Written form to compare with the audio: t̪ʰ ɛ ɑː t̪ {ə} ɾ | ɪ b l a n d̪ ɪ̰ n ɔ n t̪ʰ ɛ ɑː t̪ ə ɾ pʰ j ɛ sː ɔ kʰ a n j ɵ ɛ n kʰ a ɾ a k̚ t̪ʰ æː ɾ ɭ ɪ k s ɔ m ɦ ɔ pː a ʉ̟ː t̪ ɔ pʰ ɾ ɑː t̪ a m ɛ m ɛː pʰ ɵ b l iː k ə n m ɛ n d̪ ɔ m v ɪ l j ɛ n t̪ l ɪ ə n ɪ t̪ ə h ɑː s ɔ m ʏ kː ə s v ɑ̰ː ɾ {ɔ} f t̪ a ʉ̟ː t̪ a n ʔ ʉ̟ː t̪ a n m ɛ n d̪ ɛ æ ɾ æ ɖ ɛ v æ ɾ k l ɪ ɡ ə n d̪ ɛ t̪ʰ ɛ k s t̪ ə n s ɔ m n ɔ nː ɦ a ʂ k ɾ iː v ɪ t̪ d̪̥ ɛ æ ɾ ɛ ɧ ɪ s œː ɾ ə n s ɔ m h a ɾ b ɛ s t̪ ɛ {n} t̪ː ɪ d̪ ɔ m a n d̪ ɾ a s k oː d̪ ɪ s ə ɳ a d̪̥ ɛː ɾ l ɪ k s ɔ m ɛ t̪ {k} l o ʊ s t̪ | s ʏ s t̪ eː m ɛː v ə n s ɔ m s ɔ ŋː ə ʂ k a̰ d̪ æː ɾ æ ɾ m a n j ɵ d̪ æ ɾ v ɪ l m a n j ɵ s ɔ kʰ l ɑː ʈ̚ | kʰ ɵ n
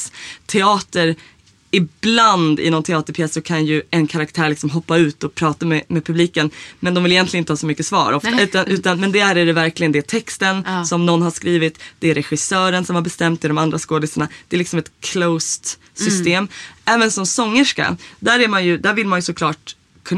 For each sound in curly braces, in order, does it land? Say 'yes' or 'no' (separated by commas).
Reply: yes, yes, no, no